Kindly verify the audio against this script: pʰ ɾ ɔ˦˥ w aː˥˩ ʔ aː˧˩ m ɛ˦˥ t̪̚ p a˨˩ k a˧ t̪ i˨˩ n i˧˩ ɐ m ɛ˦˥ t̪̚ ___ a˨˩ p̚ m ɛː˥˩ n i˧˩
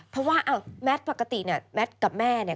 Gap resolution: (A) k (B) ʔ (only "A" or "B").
A